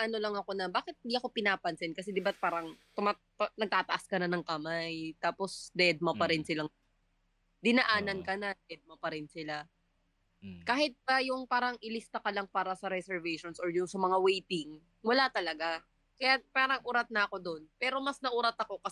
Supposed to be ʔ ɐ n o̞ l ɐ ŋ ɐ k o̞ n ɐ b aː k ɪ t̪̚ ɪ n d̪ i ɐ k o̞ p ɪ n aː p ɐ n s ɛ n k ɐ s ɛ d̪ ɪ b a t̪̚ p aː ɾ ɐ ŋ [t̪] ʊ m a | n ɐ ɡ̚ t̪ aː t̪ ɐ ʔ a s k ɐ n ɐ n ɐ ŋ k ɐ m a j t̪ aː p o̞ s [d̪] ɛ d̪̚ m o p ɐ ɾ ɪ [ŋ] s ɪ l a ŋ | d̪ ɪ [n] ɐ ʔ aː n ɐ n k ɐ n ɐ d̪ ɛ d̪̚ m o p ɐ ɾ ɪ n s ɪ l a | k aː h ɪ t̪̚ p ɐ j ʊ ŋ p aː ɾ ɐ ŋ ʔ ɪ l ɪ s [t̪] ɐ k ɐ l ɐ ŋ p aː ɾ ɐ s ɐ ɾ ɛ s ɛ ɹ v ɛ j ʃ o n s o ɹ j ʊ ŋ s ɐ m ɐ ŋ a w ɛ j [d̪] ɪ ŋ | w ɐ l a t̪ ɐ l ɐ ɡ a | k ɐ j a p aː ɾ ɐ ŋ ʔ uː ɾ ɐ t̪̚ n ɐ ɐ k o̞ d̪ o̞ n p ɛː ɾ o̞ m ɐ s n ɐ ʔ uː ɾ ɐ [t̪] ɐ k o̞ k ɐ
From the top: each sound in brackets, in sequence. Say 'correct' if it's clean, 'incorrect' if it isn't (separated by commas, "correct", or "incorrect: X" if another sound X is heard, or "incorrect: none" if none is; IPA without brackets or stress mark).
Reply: correct, correct, incorrect: n, correct, correct, incorrect: t̪, correct